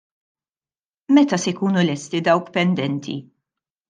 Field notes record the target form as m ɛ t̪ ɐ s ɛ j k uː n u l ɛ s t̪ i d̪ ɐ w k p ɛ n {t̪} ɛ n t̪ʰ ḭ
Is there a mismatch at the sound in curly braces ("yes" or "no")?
yes